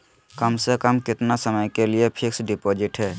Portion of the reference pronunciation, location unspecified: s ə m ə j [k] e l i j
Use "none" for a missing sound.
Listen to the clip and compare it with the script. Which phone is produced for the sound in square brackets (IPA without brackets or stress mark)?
k